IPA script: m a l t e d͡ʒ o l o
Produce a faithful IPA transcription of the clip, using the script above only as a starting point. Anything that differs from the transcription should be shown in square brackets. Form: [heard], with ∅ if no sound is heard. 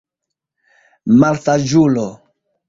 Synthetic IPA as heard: m a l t [a] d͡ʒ [u] l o

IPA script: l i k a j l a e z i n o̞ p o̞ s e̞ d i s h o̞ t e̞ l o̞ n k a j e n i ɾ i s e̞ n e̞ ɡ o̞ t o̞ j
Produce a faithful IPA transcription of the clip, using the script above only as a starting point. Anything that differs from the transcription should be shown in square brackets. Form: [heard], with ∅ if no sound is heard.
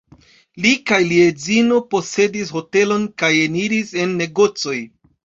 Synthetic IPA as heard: l i k a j l [i] e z i n o̞ p o̞ s e̞ d i s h o̞ t e̞ l o̞ n k a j e n i ɾ i s e̞ [nː] e̞ ɡ o̞ [t͡s] o̞ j

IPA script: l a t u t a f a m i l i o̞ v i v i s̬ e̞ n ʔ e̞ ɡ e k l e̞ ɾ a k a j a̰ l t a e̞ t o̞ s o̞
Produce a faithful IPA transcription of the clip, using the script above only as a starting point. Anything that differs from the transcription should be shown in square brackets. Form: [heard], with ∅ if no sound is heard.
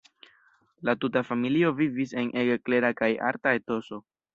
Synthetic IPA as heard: l a t u t a f a m i l i o̞ v i v i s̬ e̞ n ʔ e̞ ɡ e k l e̞ ɾ a k a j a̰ [ɾ] t a e̞ t o̞ s o̞

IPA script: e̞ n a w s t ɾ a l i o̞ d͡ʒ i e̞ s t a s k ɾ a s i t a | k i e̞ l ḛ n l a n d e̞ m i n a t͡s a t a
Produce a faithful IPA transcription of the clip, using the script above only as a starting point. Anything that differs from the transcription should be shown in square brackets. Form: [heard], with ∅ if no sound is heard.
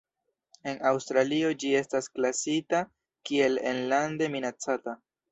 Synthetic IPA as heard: e̞ n a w s t ɾ a l i o̞ d͡ʒ i e̞ s t a s k [l] a s i t a | k i e̞ l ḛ n l a n d e̞ m i n a t͡s a t a

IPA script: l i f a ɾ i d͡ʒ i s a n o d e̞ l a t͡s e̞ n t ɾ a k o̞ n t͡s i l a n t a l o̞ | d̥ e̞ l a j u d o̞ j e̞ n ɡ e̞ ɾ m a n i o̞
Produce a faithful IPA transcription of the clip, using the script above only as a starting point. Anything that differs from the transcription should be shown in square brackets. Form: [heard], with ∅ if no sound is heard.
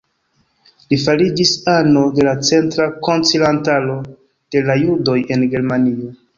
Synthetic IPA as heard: l i f a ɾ i d͡ʒ i s a n o d e̞ l a t͡s e̞ n t ɾ a k o̞ n t͡s i l a n t a l o̞ | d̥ e̞ l a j u d o̞ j e̞ n ɡ e̞ ɾ m a n i o̞

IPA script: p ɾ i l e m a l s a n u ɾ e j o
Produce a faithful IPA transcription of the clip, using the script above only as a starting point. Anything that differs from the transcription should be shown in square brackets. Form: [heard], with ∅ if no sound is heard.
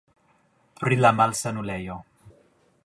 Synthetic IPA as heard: p ɾ i l [a] m a l s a n u [l] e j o

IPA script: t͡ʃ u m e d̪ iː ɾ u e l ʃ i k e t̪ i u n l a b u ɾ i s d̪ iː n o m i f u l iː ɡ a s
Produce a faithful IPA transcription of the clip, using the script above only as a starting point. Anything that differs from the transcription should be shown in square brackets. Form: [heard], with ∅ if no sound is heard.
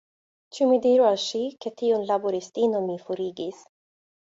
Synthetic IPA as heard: t͡ʃ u m [i] d̪ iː ɾ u [a] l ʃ i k e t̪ i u n l a b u ɾ i s [t̪] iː n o m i f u [ɾ] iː ɡ [i] s

